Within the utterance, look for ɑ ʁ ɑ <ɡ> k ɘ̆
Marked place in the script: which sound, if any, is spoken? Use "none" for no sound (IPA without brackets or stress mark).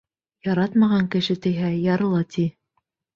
ŋ